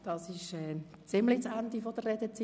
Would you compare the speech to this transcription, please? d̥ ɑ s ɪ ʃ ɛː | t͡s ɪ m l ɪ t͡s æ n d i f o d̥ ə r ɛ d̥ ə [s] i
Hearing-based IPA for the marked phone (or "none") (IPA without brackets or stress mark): t͡s